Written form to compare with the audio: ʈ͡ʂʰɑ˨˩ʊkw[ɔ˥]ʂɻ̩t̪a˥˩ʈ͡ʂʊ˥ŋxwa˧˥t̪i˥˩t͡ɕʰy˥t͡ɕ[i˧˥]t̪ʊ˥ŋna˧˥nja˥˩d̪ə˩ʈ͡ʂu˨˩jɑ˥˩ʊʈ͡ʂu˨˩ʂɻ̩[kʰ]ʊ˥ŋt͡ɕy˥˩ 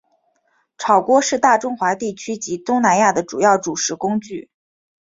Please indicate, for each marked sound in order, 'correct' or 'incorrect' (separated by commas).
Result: correct, correct, incorrect